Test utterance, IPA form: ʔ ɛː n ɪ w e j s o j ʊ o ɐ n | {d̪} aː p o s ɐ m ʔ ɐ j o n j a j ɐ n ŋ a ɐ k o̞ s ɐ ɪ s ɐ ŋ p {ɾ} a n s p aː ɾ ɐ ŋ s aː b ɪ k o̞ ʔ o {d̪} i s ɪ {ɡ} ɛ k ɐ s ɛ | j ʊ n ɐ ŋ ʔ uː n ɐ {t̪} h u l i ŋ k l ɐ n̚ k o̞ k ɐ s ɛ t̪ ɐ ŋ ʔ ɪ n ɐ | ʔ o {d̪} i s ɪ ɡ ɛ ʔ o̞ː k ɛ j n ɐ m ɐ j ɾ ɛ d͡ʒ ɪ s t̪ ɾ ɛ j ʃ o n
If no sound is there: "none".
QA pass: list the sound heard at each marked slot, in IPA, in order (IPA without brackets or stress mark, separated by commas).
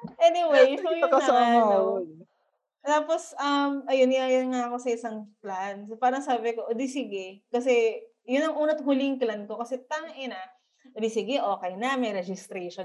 t̪, l, d̪, ɡ, t̪, d̪